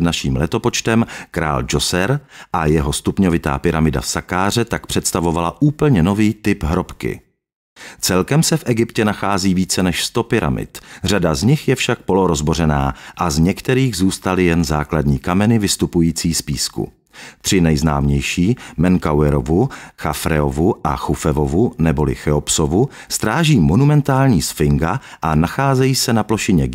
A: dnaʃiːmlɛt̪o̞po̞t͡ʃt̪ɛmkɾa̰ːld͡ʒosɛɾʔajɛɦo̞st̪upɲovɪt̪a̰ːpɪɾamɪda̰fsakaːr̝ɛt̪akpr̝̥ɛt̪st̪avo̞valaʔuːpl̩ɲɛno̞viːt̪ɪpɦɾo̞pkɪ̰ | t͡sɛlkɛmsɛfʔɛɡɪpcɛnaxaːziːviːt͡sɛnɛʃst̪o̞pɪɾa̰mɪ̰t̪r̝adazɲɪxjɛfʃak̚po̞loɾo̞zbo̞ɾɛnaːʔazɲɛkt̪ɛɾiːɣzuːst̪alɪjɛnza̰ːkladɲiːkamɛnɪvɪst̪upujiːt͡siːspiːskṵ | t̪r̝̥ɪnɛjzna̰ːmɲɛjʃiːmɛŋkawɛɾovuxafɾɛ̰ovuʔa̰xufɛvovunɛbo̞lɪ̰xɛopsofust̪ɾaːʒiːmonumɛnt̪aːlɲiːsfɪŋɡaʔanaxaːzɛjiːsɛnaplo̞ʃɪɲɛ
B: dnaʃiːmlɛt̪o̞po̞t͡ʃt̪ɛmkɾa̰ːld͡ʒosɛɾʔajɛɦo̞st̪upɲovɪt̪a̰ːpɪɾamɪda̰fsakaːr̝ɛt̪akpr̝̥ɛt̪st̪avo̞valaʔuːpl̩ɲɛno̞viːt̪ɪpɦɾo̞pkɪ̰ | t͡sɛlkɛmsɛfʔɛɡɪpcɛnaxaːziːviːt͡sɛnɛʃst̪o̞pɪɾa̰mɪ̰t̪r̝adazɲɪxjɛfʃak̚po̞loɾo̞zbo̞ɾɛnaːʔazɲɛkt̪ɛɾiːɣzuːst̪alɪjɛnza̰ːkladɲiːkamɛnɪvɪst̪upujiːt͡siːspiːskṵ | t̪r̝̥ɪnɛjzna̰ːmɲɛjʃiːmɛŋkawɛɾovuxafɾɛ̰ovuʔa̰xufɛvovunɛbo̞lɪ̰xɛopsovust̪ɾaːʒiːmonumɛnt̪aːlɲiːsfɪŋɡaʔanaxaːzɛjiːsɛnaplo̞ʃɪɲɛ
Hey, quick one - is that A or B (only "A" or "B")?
B